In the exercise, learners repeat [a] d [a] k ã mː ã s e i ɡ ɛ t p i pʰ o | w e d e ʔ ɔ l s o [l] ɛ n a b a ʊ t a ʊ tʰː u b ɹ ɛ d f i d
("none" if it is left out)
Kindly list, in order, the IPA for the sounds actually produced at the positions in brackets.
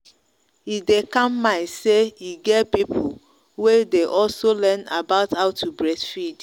i, e, l

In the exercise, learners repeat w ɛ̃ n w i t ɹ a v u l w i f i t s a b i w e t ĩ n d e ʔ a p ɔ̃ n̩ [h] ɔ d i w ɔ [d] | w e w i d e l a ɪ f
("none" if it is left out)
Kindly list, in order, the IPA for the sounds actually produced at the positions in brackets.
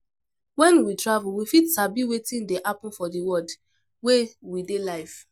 f, d

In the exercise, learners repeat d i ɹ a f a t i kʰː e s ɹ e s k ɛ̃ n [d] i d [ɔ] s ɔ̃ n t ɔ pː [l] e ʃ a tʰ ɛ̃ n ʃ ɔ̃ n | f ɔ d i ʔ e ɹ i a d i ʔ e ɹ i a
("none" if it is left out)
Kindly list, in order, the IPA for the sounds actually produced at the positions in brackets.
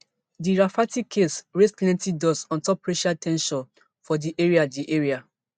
t, ɔ, ɹ

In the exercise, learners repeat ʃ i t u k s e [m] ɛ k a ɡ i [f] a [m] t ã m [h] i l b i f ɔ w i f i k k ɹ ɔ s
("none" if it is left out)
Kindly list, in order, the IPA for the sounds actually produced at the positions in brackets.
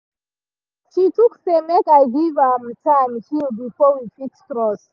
m, v, m, h

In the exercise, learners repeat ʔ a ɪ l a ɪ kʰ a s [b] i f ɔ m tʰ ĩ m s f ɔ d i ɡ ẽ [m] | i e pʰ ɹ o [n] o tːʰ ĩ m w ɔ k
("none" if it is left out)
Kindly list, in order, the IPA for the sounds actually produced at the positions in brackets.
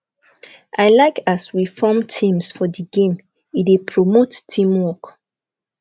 w, m, m

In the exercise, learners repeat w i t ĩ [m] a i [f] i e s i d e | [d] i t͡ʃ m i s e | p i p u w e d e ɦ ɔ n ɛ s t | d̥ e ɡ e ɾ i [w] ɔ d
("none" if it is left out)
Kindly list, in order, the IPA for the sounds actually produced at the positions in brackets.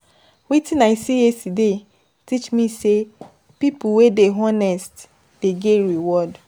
n, s, t, w

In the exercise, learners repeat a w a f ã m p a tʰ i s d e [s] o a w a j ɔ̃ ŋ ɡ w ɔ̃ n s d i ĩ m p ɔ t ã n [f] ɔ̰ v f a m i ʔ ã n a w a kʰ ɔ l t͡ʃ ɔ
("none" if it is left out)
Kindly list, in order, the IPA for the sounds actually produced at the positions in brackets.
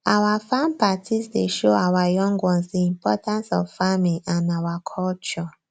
ʃ, s

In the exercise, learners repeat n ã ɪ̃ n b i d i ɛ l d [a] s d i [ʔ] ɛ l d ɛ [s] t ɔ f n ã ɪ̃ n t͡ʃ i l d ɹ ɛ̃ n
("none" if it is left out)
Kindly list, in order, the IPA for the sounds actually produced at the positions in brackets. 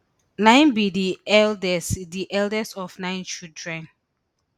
ɛ, ʔ, s

